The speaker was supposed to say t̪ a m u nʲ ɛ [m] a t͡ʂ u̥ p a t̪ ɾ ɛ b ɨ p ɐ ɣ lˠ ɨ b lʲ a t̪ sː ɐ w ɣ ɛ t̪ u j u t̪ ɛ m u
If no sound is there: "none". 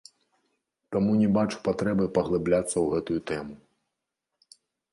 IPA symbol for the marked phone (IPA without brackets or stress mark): b